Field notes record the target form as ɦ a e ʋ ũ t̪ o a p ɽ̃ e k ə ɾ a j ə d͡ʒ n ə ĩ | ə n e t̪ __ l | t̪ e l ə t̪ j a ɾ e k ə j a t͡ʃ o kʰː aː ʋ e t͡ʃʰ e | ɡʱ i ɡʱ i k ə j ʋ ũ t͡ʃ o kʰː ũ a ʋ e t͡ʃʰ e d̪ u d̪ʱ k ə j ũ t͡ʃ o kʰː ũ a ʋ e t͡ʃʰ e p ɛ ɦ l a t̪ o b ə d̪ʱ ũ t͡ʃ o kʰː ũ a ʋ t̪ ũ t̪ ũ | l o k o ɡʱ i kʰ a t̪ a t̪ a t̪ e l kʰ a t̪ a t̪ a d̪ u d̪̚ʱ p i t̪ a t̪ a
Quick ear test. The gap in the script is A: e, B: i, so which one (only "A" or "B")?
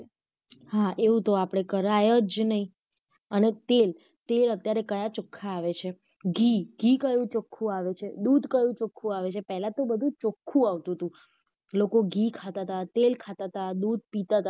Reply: A